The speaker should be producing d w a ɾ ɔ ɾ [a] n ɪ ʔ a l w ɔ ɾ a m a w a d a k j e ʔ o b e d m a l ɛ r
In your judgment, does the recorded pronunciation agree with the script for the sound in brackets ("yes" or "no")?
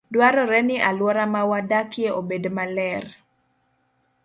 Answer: no